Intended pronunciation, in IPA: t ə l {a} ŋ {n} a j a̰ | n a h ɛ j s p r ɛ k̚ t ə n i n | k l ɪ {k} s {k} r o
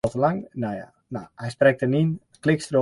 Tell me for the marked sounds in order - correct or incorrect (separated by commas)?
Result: correct, correct, correct, incorrect